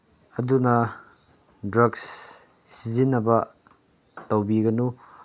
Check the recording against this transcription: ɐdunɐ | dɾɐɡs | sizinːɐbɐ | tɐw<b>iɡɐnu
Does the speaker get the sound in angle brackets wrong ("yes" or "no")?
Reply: no